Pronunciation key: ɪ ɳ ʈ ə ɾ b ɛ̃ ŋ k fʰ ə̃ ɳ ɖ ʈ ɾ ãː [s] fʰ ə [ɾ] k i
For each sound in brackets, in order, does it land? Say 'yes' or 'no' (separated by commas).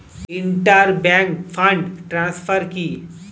yes, yes